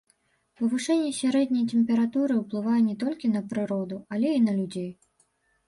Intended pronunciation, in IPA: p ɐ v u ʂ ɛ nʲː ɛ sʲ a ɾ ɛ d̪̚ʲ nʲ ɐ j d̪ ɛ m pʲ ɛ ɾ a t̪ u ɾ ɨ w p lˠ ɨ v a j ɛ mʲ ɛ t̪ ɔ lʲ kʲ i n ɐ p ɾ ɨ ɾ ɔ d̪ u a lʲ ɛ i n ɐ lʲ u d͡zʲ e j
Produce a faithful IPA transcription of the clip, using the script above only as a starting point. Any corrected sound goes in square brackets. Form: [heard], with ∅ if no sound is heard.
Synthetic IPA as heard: p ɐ v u ʂ ɛ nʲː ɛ sʲ a ɾ ɛ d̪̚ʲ nʲ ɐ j [t̪] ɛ m pʲ ɛ ɾ a t̪ u ɾ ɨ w p lˠ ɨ v a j ɛ [nʲ] ɛ t̪ ɔ lʲ kʲ i n ɐ p ɾ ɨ ɾ ɔ d̪ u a lʲ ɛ i n ɐ lʲ u d͡zʲ e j